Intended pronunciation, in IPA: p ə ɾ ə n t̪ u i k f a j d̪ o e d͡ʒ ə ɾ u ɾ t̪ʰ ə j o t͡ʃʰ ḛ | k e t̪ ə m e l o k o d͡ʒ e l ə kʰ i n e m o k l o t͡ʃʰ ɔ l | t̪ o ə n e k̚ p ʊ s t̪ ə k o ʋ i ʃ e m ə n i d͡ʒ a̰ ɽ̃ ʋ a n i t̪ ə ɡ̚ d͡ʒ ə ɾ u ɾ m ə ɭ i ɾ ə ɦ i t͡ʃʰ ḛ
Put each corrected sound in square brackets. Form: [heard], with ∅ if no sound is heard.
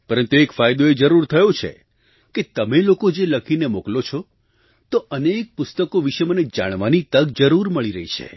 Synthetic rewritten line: p ə ɾ ə n t̪ u [e] k f a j d̪ o e d͡ʒ ə ɾ u ɾ t̪ʰ ə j o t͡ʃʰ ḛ | k e t̪ ə m e l o k o d͡ʒ e l ə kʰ i n e m o k l o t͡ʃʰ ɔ [∅] | t̪ o ə n e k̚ p ʊ s t̪ ə k o ʋ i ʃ e m ə n [e] d͡ʒ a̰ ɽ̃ ʋ a n i t̪ ə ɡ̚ d͡ʒ ə ɾ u ɾ m ə ɭ i ɾ ə ɦ i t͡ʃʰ ḛ